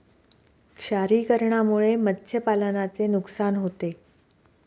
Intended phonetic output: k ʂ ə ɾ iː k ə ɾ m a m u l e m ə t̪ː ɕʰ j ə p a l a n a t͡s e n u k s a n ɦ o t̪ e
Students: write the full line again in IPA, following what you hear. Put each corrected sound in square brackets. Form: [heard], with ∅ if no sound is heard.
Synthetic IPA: k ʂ [a] ɾ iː k ə ɾ [ɳ] a m u [ɭ] e m ə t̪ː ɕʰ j ə p a l [ə] n a t͡s e n u k s a n ɦ o t̪ e